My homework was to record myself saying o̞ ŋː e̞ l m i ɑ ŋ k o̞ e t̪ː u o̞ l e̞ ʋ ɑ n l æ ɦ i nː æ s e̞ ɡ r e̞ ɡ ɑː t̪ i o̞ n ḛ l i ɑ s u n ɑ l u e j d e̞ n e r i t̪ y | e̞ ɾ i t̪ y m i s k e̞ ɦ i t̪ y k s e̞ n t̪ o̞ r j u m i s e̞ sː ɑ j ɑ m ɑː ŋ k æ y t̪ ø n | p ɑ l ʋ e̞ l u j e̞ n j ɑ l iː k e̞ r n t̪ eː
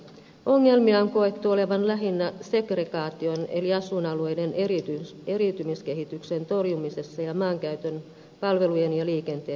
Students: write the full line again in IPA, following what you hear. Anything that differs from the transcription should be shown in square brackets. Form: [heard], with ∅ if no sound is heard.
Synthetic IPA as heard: o̞ ŋː e̞ l m i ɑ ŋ k o̞ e t̪ː u o̞ l e̞ ʋ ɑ n l æ ɦ i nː æ s e̞ ɡ r e̞ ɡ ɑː t̪ i o̞ n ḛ l i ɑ s u n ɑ l u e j d e̞ n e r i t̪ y | e̞ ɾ i t̪ y m i s k e̞ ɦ i t̪ y k s e̞ n t̪ o̞ r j u m i s e̞ sː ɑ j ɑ m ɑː ŋ k æ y t̪ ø n | p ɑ l ʋ e̞ l u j e̞ n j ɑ l iː k e̞ [∅] n t̪ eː